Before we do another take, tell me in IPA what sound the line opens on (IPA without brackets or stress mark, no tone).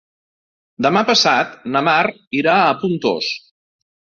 d̪